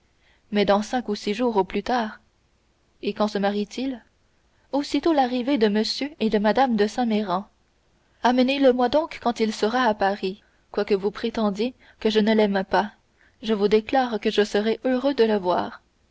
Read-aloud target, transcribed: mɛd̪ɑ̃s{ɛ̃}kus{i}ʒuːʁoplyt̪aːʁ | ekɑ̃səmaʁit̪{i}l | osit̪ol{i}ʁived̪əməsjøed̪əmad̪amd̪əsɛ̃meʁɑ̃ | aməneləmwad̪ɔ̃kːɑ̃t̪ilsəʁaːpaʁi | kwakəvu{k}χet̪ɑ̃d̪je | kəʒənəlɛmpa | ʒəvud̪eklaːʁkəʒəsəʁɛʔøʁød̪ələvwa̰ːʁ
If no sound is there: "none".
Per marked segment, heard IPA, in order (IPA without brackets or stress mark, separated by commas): ɛ̃, i, i, a, p